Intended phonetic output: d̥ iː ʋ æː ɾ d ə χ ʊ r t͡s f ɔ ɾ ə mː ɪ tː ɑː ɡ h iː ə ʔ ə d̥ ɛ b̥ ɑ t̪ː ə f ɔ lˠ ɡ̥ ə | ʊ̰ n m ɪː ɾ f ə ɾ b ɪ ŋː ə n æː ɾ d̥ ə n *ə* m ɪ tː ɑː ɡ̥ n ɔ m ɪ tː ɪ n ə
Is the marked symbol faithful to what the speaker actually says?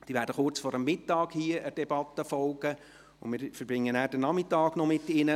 no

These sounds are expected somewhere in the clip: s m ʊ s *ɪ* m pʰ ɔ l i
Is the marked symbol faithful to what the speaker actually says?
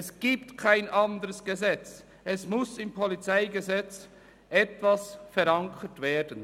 yes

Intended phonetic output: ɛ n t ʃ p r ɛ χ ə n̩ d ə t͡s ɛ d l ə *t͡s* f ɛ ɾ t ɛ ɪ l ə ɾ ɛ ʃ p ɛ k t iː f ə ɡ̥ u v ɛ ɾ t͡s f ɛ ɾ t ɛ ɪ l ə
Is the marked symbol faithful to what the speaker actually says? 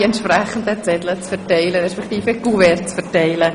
yes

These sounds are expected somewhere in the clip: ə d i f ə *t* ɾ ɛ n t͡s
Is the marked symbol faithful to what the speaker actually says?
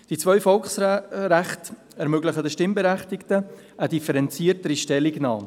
no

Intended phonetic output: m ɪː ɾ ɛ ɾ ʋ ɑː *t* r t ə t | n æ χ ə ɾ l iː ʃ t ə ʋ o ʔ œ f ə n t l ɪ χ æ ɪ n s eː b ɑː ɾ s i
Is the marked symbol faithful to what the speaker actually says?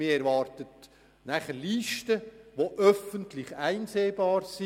no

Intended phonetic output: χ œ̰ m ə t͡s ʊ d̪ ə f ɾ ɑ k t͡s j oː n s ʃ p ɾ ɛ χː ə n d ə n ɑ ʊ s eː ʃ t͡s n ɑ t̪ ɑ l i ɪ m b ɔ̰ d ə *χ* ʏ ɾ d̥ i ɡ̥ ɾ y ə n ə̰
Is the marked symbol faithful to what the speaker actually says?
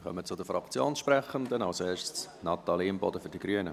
no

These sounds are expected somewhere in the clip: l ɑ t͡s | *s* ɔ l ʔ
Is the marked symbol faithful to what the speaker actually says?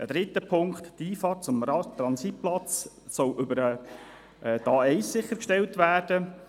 yes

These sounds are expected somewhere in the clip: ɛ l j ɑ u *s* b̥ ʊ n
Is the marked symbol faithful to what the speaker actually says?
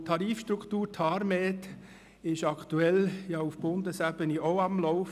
no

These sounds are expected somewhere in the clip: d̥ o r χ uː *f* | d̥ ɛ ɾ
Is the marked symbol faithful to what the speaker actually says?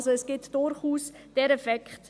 no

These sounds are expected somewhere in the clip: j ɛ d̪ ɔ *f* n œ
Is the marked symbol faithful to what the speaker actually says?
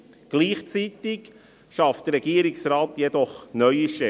no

